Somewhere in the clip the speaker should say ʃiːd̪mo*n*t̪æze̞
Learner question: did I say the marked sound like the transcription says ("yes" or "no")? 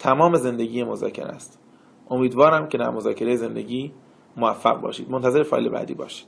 yes